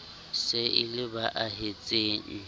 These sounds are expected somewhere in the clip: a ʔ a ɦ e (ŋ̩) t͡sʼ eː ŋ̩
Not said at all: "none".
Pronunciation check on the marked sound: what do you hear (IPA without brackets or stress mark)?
none